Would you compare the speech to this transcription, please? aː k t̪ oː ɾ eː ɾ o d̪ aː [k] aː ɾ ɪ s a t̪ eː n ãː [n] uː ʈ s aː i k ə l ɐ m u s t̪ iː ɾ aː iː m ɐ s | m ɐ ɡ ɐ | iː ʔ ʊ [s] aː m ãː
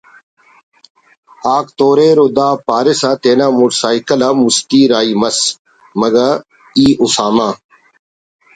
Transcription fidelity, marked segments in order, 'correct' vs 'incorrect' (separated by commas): incorrect, incorrect, correct